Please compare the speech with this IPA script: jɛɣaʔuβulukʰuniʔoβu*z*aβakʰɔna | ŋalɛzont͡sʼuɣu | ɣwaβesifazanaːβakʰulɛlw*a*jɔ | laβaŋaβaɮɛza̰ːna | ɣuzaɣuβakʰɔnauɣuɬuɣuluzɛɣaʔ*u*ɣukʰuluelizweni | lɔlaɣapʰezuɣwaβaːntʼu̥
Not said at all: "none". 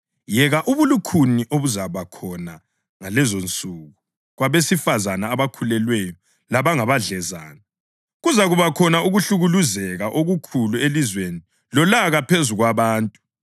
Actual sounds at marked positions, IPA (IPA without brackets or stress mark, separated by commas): z, ɛ, o